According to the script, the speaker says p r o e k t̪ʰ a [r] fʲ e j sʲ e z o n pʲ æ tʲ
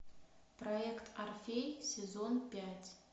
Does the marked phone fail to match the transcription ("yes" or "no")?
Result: no